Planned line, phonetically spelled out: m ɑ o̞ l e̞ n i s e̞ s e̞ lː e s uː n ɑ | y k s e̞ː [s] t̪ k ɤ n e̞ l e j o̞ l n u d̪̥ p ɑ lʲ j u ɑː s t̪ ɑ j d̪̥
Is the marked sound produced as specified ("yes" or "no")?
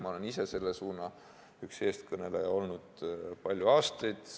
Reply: yes